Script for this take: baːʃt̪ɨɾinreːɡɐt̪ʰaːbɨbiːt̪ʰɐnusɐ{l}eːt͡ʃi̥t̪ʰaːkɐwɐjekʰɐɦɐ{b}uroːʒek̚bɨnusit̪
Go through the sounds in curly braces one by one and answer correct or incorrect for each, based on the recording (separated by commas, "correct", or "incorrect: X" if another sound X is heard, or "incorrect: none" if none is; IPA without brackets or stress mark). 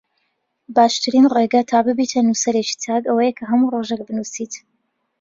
incorrect: ɾ, incorrect: m